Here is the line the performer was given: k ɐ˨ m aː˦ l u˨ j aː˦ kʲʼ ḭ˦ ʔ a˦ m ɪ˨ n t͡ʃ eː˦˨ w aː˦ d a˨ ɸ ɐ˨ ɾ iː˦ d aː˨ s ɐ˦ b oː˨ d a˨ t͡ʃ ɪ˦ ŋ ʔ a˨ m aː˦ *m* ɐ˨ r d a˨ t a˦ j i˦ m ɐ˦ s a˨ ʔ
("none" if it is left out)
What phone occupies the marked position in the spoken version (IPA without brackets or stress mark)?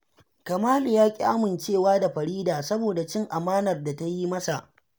n